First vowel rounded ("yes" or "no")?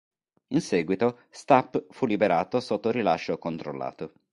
no